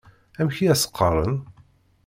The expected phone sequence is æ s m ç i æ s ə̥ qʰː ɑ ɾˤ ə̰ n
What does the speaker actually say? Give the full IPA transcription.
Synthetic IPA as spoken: æ m ç i æ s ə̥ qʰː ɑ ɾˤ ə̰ n